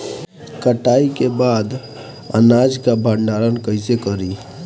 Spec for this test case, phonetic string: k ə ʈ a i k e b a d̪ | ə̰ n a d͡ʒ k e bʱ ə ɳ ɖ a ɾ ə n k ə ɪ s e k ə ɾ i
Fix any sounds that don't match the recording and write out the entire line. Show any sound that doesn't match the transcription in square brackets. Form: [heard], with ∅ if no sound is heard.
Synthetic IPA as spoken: k ə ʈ a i k e b a d̪ | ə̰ n a d͡ʒ k [a] bʱ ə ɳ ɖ a ɾ ə n k ə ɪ s e k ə ɾ i

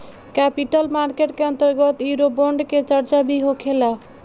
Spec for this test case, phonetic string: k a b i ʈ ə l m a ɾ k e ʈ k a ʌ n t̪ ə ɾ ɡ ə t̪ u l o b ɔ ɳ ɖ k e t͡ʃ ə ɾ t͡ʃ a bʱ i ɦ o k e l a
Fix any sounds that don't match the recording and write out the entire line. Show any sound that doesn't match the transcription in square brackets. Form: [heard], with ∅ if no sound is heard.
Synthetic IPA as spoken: k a [p] i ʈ ə l m a ɾ k e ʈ k [e] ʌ n t̪ ə ɾ ɡ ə t̪ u [ɾ] o b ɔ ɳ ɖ k e t͡ʃ ə ɾ t͡ʃ a bʱ i ɦ o [kʰ] e l a

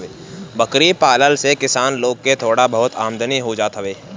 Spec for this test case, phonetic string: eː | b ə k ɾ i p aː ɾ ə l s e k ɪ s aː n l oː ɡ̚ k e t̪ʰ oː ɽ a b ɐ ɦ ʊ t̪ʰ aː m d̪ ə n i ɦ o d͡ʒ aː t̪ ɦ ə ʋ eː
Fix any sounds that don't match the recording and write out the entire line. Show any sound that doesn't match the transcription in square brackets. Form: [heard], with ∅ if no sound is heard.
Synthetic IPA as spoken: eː | b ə k ɾ i p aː [l] ə l s e k ɪ s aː n l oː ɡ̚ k e t̪ʰ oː ɽ a b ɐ ɦ ʊ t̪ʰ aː m d̪ ə n i ɦ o d͡ʒ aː t̪ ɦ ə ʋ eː

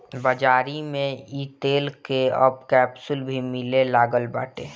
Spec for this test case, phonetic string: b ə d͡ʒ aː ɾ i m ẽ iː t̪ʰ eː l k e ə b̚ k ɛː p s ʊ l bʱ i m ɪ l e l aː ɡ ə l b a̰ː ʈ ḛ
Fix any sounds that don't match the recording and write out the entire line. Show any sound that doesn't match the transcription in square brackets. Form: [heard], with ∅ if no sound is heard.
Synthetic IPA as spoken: b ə d͡ʒ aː ɾ i m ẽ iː [t̪] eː l k e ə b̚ k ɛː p s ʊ l bʱ i m ɪ l e l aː ɡ ə l b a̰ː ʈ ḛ

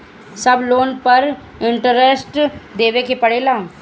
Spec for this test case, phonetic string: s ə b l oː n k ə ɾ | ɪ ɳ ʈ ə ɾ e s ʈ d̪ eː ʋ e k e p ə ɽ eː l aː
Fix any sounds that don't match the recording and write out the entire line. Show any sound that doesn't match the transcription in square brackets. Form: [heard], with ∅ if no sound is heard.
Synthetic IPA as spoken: s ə b l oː n [p] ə ɾ | ɪ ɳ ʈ ə ɾ e s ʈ d̪ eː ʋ e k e p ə ɽ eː l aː

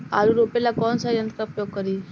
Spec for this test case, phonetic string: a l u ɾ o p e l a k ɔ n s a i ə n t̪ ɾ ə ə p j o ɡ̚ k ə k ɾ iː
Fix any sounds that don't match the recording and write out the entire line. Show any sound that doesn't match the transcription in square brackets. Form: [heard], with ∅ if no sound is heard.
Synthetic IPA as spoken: a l u ɾ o p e l a k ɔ n s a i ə n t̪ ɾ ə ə p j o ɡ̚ k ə [∅] ɾ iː

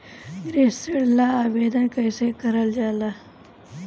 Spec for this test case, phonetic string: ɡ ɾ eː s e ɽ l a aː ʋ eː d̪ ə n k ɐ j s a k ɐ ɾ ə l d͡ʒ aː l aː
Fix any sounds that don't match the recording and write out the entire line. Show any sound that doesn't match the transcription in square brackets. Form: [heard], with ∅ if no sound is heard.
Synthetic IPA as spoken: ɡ ɾ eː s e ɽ l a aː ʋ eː d̪ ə n k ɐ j s [e] k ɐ ɾ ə l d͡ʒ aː l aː

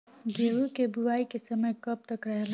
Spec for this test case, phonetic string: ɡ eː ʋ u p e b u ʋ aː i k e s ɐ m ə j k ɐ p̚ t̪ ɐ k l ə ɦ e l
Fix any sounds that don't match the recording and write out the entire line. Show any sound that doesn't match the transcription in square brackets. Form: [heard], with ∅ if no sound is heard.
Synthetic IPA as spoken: ɡ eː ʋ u [k] e b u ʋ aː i k e s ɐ m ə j k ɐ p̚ t̪ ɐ k [ɾ] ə ɦ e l

